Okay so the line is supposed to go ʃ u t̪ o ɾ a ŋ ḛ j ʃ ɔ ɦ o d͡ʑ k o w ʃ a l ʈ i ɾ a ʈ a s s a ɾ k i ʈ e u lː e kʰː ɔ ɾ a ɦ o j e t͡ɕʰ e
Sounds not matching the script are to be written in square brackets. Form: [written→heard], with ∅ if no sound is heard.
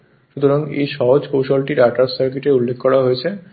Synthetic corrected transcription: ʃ u t̪ o ɾ a ŋ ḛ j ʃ ɔ ɦ o d͡ʑ k o w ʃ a l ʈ i ɾ a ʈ a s s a ɾ k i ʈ e u lː e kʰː ɔ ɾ a ɦ o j e t͡ɕʰ e